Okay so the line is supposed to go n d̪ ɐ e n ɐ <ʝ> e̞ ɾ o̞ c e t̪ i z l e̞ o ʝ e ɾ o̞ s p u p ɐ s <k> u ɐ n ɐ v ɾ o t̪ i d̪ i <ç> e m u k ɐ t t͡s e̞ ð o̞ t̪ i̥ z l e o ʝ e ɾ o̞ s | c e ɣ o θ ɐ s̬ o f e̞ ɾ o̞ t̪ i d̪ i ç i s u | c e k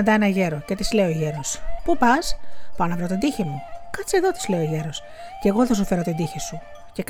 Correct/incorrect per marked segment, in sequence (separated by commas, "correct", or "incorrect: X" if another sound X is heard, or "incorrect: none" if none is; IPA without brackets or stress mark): correct, incorrect: p, correct